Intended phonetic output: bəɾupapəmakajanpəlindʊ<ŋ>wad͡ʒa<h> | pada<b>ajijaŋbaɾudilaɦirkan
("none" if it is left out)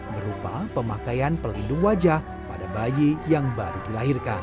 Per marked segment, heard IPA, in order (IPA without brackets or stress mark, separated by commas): ŋ, h, b